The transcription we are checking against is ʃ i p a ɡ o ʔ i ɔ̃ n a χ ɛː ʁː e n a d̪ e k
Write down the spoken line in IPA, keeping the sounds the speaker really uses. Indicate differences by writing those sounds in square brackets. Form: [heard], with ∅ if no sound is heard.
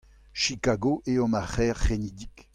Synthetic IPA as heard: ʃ i [k] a ɡ o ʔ [e] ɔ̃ [m] a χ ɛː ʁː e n [i] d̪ [i] k